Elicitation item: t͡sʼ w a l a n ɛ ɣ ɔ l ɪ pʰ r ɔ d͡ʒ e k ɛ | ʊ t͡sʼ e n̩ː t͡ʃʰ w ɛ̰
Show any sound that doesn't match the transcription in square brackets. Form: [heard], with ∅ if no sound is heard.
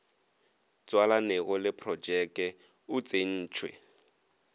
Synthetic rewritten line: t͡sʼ w a l a n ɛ ɣ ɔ l ɪ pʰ r ɔ d͡ʒ [ɛ] k ɛ | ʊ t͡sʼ e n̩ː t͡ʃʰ w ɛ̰